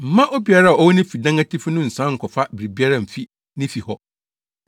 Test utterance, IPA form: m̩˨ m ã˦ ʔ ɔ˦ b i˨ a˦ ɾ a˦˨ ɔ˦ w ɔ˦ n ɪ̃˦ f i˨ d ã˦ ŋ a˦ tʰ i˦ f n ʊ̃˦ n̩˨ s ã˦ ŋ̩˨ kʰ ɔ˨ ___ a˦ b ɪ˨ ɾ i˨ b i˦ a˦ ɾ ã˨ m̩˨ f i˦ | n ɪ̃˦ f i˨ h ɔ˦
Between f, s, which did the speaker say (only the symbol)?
f